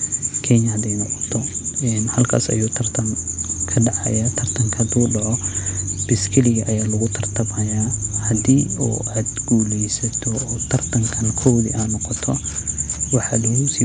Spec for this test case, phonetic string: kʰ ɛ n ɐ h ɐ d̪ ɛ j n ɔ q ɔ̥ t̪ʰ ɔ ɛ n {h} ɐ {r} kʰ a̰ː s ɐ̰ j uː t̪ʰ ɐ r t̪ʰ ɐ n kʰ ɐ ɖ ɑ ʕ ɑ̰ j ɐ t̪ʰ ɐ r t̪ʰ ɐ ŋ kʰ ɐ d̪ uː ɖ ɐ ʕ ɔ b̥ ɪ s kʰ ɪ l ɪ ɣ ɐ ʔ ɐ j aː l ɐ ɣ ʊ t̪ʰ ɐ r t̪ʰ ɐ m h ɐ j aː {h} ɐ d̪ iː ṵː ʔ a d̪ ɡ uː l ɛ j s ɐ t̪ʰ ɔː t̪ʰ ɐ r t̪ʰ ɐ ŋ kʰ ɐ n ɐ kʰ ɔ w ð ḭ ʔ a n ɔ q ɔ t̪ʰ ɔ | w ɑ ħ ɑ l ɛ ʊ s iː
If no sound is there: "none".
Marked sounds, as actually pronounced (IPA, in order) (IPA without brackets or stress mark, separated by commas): h, l, h